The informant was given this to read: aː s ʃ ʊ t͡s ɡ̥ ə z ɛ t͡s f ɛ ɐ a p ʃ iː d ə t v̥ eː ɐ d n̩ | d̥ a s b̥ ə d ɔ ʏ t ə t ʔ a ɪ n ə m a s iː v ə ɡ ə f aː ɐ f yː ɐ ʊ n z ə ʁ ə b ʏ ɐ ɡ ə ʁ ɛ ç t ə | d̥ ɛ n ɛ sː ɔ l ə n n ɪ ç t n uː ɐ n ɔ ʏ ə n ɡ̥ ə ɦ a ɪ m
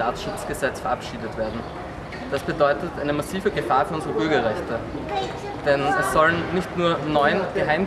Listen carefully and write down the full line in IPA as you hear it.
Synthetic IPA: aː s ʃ ʊ t͡s ɡ̥ ə z ɛ t͡s f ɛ ɐ a p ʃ iː d ə t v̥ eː ɐ d n̩ | d̥ a s b̥ ə d ɔ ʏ t ə t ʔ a ɪ n ə m a s iː v ə ɡ ə f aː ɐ f yː ɐ ʊ n z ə ʁ ə b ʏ ɐ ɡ ɐ ʁ ɛ ç t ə | d̥ ɛ n ɛ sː ɔ l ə n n ɪ ç t n uː ɐ n ɔ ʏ ə n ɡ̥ ə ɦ a ɪ m

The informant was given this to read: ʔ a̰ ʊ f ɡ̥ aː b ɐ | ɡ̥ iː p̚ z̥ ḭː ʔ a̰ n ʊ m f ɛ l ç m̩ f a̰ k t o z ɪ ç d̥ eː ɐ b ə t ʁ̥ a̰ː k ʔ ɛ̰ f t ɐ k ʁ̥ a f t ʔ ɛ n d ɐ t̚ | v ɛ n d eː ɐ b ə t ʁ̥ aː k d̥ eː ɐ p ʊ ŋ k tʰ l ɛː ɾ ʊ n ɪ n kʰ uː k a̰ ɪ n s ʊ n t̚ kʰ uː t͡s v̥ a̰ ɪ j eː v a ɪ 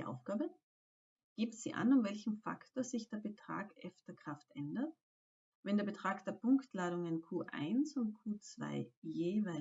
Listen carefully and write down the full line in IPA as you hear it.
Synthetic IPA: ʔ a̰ ʊ f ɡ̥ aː b ə | ɡ̥ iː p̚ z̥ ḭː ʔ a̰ n ʊ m v ɛ l ç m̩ f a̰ k t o z ɪ ç d̥ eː ɐ b ə t ʁ̥ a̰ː k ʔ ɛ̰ f t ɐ k ʁ̥ a f t ʔ ɛ n d ɐ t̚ | v ɛ n d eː ɐ b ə t ʁ̥ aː k d̥ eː ɐ p ʊ ŋ k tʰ l aː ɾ ʊ ŋ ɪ n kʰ uː ʔ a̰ ɪ n s ʊ n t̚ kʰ uː t͡s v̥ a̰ ɪ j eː v a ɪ

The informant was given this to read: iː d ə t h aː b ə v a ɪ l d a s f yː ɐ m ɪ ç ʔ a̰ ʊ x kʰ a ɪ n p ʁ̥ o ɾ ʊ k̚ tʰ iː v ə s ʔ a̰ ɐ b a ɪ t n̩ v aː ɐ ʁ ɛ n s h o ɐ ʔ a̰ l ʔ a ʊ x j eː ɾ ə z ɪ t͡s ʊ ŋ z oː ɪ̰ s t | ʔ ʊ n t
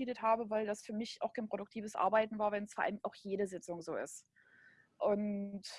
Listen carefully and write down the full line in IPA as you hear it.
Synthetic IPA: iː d ə t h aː b ə v a ɪ l d a s f yː ɐ m ɪ ç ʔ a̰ ʊ x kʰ a ɪ n p ʁ̥ o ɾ ʊ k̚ tʰ iː v ə s ʔ a̰ ɐ b a ɪ t n̩ v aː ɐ v ɛ n s f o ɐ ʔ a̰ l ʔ a ʊ x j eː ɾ ə z ɪ t͡s ʊ ŋ z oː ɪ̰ s t | ʔ ʊ n t

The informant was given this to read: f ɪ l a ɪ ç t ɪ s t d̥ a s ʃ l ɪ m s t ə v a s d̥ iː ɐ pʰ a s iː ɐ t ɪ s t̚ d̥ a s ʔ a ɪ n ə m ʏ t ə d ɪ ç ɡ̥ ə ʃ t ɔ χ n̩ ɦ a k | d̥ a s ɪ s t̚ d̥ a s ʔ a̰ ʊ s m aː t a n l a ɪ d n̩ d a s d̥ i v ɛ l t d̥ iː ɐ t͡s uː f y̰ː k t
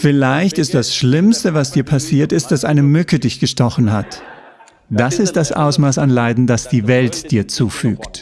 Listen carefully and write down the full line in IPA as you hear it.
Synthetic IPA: f ɪ l a ɪ ç t ɪ s t d̥ a s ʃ l ɪ m s t ə v a s d̥ iː ɐ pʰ a s iː ɐ t ɪ s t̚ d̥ a s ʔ a ɪ n ə m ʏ k ə d ɪ ç ɡ̥ ə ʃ t ɔ χ n̩ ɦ a t | d̥ a s ɪ s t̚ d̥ a s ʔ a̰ ʊ s m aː s a n l a ɪ d n̩ d a s d̥ iː v ɛ l t d̥ iː ɐ t͡s uː f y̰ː k t

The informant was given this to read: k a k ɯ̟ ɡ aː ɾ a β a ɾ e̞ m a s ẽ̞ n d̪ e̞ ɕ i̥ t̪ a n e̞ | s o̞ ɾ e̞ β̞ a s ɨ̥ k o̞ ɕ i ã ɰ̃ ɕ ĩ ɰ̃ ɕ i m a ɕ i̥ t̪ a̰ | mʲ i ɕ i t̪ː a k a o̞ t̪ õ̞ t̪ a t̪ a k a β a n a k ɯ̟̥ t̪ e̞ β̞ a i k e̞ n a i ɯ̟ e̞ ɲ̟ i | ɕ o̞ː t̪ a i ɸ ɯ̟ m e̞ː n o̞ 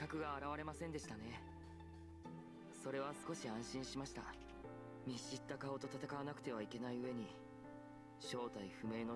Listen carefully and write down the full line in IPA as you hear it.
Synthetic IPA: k a k ɯ̟ ɡ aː ɾ a β a ɾ e̞ m a s ẽ̞ n d̪ e̞ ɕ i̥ t̪ a n e̞ | s o̞ ɾ e̞ β̞ a s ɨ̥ k o̞ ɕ i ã ɰ̃ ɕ ĩ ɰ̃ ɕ i m a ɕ i̥ t̪ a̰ | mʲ i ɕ i t̪ː a k a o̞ t̪ o̞ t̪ a t̪ a k a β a n a k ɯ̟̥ t̪ e̞ β̞ a i k e̞ n a i ɯ̟ e̞ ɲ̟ i | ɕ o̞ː t̪ a i ɸ ɯ̟ m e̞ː n o̞

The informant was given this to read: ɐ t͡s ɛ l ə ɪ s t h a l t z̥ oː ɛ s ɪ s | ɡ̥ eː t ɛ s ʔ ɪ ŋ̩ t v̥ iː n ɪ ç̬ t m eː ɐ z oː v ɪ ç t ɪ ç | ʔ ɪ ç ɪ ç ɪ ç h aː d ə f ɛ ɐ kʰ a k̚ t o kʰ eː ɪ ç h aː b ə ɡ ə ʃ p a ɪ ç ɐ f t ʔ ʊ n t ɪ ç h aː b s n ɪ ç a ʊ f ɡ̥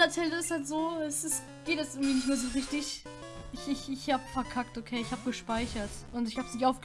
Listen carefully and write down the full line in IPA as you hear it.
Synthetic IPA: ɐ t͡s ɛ l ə ɪ s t h a l t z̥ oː ɛ s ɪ s | ɡ̥ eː t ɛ s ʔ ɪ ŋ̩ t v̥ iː n ɪ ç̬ t m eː ɐ z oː ʁ ɪ ç t ɪ ç | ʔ ɪ ç ɪ ç ɪ ç h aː b ə f ɛ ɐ kʰ a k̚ t o kʰ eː ɪ ç h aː b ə ɡ ə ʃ p a ɪ ç ɐ t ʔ ʊ n t ɪ ç h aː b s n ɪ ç a ʊ f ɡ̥

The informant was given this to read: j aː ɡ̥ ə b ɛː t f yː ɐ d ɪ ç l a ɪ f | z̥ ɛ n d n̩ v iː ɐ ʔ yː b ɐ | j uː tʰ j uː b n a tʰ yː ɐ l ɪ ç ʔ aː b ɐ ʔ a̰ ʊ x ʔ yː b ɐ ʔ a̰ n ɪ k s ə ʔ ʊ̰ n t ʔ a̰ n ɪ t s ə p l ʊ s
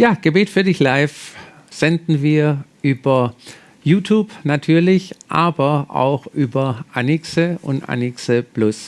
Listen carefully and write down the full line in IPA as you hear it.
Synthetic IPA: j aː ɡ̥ ə b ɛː t f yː ɐ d ɪ ç l a ɪ f | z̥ ɛ n d n̩ v iː ɐ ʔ yː b ɐ | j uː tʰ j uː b n a tʰ yː ɐ l ɪ ç ʔ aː b ɐ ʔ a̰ ʊ x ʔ yː b ɐ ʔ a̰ n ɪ k s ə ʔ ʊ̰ n t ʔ a̰ n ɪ k s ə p l ʊ s

